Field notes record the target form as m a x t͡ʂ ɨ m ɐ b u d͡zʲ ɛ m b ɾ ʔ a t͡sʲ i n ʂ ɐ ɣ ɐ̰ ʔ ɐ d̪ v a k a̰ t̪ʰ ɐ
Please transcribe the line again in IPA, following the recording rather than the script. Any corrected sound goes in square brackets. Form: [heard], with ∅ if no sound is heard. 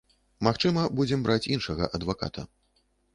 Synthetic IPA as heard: m a x t͡ʂ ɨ m ɐ b u d͡zʲ ɛ m b ɾ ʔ a t͡sʲ i n ʂ ɐ ɣ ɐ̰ ʔ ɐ d̪ v a k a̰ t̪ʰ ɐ

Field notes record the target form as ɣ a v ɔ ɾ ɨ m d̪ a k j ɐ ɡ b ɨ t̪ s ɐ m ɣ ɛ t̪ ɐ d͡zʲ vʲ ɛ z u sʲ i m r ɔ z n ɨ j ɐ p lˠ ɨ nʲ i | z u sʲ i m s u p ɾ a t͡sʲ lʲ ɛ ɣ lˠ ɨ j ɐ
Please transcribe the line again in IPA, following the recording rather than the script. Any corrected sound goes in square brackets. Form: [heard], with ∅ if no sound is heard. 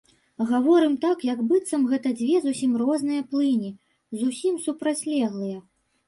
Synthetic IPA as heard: ɣ a v ɔ ɾ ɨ m [t̪] a k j ɐ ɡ b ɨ t̪ s ɐ m ɣ ɛ t̪ ɐ d͡zʲ vʲ ɛ z u sʲ i m r ɔ z n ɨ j ɐ p lˠ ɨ nʲ i | z u sʲ i m s u p ɾ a t͡sʲ lʲ ɛ ɣ lˠ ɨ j ɐ

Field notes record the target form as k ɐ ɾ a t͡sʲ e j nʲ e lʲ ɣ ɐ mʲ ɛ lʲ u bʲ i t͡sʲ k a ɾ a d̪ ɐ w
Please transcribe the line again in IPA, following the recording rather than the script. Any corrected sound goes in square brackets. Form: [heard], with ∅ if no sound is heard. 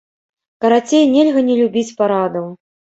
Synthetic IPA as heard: k ɐ ɾ a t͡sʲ e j nʲ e lʲ ɣ ɐ [nʲ] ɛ lʲ u bʲ i t͡sʲ [p] a ɾ a d̪ ɐ w

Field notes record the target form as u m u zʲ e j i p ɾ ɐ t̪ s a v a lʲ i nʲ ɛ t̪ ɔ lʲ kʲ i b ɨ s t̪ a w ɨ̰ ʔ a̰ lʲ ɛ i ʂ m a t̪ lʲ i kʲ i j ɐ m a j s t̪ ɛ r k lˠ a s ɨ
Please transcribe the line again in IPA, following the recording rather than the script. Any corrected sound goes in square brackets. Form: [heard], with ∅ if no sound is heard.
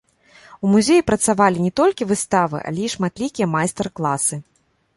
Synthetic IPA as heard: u m u zʲ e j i p ɾ ɐ t̪ s a v a lʲ i nʲ ɛ t̪ ɔ lʲ kʲ i [v] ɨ s t̪ a [v] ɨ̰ ʔ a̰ lʲ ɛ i ʂ m a t̪ lʲ i kʲ i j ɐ m a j s t̪ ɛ r k lˠ a s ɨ

